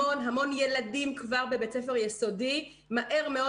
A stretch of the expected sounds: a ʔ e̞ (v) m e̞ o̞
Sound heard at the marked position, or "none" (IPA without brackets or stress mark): ʁ